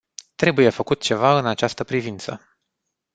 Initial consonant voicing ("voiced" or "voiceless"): voiceless